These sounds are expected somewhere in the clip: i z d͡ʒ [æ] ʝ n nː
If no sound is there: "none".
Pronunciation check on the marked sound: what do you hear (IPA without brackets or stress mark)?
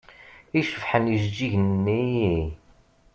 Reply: i